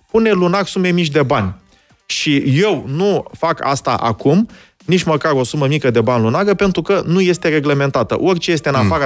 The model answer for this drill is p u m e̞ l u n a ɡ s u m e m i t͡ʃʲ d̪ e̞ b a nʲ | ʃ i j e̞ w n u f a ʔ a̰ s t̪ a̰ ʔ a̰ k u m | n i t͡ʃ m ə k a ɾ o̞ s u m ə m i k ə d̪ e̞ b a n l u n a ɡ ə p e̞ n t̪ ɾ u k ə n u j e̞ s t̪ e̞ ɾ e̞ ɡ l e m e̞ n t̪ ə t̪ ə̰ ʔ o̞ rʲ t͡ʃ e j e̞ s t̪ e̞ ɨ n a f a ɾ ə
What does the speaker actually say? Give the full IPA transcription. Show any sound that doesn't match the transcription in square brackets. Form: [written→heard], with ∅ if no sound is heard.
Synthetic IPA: p u [m→n] e̞ l u n a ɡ s u m e m i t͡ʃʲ d̪ e̞ b a nʲ | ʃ i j e̞ w n u f a [ʔ→k] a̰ s t̪ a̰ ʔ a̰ k u m | n i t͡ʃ m ə k a ɾ o̞ s u m ə m i k ə d̪ e̞ b a n l u n a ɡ ə p e̞ n t̪ ɾ u k ə n u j e̞ s t̪ e̞ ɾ e̞ ɡ l e m e̞ n t̪ [ə→a] t̪ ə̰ ʔ o̞ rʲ t͡ʃ e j e̞ s t̪ e̞ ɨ n a f a ɾ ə